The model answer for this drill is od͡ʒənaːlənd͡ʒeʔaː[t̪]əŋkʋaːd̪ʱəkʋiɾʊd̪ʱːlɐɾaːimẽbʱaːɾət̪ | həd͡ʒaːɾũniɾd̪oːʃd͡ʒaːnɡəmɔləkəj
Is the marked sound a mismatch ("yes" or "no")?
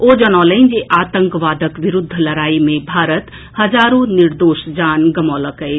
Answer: no